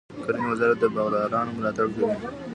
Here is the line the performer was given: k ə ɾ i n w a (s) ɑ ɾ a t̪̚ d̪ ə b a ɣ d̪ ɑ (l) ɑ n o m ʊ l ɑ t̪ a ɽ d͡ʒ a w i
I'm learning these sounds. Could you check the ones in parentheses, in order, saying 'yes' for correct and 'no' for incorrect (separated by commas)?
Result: no, no